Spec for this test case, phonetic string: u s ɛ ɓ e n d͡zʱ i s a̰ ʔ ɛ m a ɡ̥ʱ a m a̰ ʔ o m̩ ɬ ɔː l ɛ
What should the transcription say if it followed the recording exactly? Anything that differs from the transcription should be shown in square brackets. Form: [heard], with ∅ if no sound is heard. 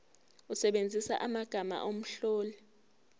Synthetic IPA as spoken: u s ɛ ɓ e n d͡zʱ i s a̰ ʔ [a] m a ɡ̥ʱ a m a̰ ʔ o m̩ ɬ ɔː l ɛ